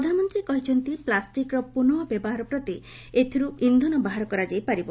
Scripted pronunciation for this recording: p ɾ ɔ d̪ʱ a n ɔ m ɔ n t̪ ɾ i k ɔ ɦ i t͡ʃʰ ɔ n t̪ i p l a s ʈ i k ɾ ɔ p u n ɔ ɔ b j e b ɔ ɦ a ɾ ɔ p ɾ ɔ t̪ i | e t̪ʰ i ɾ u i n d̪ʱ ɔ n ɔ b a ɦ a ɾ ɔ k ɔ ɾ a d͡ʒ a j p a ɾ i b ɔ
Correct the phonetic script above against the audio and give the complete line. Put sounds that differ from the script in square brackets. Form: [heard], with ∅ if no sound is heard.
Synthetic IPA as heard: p ɾ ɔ d̪ʱ a n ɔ m ɔ n t̪ ɾ i k ɔ ɦ i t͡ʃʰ ɔ n t̪ i p l a s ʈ i k ɾ ɔ p u n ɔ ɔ b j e b ɔ ɦ a ɾ ɔ p ɾ ɔ t̪ i | e t̪ʰ i ɾ u i n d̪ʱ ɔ n ɔ b a ɦ a ɾ ɔ k ɔ ɾ a d͡ʒ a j p a ɾ i b ɔ

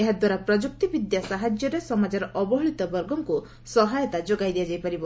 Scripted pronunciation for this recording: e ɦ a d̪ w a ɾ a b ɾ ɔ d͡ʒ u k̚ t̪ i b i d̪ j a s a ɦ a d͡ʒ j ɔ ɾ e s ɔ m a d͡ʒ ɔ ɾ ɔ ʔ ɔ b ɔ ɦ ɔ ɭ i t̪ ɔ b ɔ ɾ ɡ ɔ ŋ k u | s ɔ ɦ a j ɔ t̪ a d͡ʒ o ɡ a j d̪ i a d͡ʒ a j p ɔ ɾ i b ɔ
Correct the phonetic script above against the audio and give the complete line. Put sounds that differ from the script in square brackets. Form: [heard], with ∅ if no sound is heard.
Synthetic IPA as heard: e ɦ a d̪ w a ɾ a [p] ɾ ɔ d͡ʒ u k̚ t̪ i b i d̪ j a s a ɦ a d͡ʒ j ɔ ɾ e s ɔ m a d͡ʒ ɔ ɾ ɔ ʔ ɔ b ɔ ɦ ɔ ɭ i t̪ ɔ b ɔ ɾ ɡ ɔ ŋ k u | s ɔ ɦ a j ɔ t̪ a d͡ʒ o ɡ a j d̪ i a d͡ʒ a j p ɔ ɾ i b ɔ

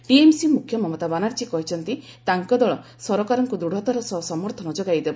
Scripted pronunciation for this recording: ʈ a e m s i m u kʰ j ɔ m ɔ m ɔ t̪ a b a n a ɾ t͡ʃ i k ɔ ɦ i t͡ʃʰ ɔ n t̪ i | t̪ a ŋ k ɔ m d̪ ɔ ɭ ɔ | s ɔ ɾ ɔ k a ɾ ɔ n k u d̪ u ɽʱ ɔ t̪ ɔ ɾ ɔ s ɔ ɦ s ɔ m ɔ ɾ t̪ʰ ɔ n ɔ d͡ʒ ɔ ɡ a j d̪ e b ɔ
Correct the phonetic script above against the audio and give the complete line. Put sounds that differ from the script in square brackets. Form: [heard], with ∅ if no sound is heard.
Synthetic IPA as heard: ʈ [i] e m s i m u kʰ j ɔ m ɔ m ɔ t̪ a b a n a ɾ t͡ʃ i k ɔ ɦ i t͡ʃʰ ɔ n t̪ i | t̪ a ŋ k ɔ [∅] d̪ ɔ ɭ ɔ | s ɔ ɾ ɔ k a ɾ ɔ [ŋ] k u d̪ u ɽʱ ɔ t̪ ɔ ɾ ɔ s ɔ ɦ s ɔ m ɔ ɾ t̪ʰ ɔ n ɔ d͡ʒ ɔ ɡ a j d̪ e b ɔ

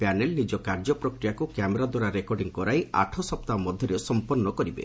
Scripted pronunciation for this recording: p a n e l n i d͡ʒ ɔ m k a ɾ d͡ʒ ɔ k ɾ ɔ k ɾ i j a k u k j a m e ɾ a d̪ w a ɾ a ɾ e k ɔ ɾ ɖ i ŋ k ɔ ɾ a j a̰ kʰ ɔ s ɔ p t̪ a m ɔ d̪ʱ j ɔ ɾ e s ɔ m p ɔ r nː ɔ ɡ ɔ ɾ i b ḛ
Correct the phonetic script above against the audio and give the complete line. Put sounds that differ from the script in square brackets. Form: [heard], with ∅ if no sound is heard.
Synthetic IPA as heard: p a n e l n i d͡ʒ ɔ [∅] k a ɾ d͡ʒ ɔ [p] ɾ ɔ k ɾ i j a k u k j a m e ɾ a d̪ w a ɾ a ɾ e k ɔ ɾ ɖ i ŋ k ɔ ɾ a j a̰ [ʈʰ] ɔ s ɔ p t̪ a m ɔ d̪ʱ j ɔ ɾ e s ɔ m p ɔ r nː ɔ [k] ɔ ɾ i b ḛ

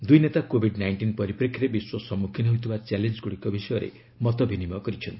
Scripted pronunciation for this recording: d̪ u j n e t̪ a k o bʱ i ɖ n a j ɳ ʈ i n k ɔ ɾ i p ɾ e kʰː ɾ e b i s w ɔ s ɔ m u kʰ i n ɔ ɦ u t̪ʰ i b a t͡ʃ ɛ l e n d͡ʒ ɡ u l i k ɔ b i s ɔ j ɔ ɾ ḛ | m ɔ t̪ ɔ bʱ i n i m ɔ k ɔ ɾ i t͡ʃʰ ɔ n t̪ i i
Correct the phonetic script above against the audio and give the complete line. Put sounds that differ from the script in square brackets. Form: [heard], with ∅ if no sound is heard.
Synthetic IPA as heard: d̪ u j n e t̪ a k o bʱ i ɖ n a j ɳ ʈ i n [p] ɔ ɾ i p ɾ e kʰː ɾ e b i s w ɔ s ɔ m u kʰ i n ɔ ɦ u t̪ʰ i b a t͡ʃ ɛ l e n d͡ʒ ɡ u [ɽ] i k ɔ b i s ɔ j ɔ ɾ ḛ | m ɔ t̪ ɔ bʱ i n i m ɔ k ɔ ɾ i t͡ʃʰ ɔ n t̪ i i

